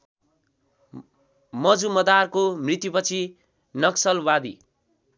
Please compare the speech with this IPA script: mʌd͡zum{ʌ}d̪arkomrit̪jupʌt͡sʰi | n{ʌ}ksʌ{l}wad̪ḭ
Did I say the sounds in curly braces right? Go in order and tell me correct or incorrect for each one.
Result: correct, correct, correct

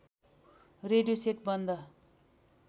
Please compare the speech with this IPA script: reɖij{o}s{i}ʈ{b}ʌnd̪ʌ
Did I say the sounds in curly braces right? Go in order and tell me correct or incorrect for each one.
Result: correct, incorrect, correct

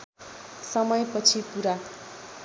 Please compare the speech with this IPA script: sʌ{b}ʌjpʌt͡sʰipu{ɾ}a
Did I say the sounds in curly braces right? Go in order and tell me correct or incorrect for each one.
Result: incorrect, correct

